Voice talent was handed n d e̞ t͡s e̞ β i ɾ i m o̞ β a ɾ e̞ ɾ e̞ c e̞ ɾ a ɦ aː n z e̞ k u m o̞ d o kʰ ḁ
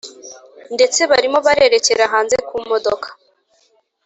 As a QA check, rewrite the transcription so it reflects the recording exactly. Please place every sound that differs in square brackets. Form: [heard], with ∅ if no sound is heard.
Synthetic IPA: n d e̞ t͡s e̞ β [a] ɾ i m o̞ β a ɾ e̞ ɾ e̞ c e̞ ɾ a ɦ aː n z e̞ k u m o̞ d o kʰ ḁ